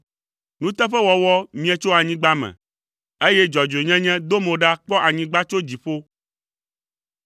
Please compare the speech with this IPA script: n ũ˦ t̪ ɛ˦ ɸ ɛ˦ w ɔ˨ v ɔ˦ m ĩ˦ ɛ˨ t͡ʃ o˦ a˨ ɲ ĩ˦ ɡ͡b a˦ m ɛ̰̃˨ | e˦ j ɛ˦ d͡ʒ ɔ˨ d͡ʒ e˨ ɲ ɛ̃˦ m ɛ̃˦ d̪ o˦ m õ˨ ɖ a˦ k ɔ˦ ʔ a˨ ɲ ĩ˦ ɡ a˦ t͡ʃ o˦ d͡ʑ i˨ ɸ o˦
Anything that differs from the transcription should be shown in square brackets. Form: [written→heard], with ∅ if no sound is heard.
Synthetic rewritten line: n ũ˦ t̪ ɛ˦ ɸ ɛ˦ w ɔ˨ [v→w] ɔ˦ m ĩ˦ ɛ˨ t͡ʃ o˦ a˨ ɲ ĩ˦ ɡ͡b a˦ m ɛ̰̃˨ | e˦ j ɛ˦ d͡ʒ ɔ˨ d͡ʒ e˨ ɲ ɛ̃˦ [m→ɲ] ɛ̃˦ d̪ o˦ m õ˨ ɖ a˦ [k→k͡p] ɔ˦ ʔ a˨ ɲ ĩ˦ [ɡ→ɡ͡b] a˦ t͡ʃ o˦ d͡ʑ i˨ ɸ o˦